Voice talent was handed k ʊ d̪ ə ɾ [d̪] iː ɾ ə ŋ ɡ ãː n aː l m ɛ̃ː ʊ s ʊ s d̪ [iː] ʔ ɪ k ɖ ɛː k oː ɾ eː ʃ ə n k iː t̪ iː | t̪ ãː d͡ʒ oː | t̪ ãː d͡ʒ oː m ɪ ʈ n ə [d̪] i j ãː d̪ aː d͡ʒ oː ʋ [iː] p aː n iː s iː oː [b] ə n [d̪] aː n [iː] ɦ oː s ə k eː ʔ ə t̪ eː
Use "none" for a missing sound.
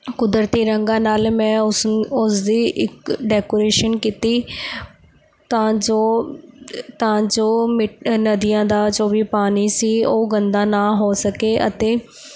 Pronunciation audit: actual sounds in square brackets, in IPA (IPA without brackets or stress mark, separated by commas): t̪, iː, d̪, iː, ɡ, d̪, aː